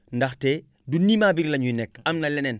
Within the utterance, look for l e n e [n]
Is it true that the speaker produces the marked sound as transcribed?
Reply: yes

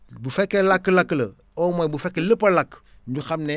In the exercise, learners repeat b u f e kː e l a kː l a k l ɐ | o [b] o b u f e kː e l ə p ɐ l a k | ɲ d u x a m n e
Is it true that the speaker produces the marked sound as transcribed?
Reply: no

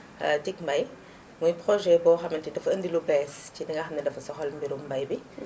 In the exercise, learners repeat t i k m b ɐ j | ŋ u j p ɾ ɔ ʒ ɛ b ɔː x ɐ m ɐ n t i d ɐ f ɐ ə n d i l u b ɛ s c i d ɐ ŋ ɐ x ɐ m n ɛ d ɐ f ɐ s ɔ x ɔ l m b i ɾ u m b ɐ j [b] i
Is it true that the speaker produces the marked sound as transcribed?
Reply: yes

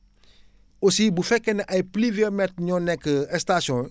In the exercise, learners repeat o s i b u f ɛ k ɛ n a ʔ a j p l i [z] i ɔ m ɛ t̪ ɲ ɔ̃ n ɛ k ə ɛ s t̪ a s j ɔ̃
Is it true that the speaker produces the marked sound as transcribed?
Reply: no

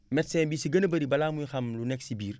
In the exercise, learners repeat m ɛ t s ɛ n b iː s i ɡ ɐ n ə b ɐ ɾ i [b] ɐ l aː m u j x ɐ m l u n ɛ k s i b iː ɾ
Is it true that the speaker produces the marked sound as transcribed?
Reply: yes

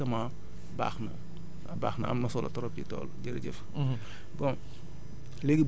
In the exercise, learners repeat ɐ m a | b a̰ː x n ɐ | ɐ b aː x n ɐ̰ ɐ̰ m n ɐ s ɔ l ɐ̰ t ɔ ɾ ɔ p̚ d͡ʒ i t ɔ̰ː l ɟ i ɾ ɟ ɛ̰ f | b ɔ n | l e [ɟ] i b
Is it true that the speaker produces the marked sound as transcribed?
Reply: no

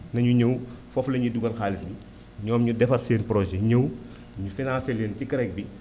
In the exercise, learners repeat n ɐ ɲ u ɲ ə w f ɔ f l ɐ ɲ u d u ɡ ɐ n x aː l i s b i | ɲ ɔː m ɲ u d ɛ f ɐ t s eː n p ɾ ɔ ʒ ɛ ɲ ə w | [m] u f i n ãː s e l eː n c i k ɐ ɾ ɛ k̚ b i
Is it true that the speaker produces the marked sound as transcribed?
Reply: no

